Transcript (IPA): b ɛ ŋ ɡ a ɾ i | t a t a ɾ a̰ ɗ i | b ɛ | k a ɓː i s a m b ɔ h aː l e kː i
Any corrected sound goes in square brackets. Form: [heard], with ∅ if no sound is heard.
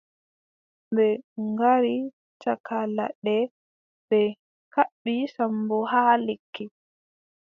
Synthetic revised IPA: b ɛ ŋ ɡ a ɾ i | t a [k] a [l] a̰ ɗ [ɛ] | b ɛ | k a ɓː i s a m b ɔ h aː l e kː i